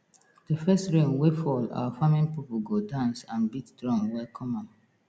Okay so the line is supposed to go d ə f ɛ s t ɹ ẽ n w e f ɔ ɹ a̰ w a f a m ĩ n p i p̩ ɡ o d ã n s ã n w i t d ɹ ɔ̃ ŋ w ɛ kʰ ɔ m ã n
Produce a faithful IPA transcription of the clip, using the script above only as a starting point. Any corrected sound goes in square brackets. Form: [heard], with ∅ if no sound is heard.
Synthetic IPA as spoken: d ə f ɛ s t ɹ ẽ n w e f ɔ [l] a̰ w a f a m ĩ n p i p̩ ɡ o d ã n s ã n [b] i t d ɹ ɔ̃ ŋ w ɛ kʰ ɔ m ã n